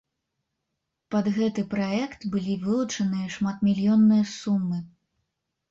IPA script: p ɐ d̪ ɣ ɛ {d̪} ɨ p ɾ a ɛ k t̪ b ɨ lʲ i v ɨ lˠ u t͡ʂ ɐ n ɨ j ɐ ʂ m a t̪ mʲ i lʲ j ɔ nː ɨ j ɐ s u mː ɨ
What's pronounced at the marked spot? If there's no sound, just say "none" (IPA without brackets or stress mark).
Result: t̪